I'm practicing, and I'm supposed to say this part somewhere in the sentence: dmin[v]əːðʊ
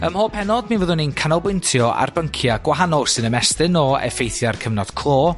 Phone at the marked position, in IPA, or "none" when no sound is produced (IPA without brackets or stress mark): v